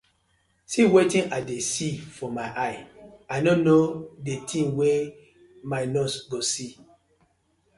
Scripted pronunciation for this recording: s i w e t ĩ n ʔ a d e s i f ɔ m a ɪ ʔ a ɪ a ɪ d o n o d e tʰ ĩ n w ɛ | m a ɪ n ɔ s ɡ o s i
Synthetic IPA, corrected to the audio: s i w e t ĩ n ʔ a d e s i f ɔ m a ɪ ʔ a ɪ a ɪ n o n o d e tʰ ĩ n w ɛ | m a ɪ n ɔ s ɡ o s i